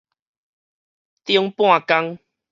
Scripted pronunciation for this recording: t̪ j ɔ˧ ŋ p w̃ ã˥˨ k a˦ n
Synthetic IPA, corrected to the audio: t̪ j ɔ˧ ŋ p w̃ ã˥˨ k a˦ ŋ